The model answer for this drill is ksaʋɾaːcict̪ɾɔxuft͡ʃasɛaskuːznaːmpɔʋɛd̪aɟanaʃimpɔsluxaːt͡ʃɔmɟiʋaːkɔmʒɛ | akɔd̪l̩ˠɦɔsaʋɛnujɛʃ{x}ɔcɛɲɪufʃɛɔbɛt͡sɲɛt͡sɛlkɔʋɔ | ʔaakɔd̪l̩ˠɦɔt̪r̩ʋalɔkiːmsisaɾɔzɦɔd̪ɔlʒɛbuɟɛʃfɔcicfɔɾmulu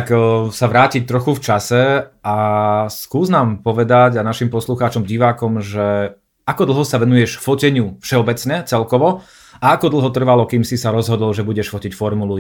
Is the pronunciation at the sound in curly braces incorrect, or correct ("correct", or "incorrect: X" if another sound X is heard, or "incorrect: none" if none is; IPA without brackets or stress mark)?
incorrect: f